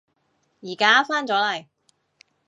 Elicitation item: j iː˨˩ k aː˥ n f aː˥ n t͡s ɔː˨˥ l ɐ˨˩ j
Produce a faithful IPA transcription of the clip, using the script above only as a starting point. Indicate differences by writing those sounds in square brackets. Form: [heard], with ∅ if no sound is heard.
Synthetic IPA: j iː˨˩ k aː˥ [∅] f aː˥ n t͡s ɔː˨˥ l ɐ˨˩ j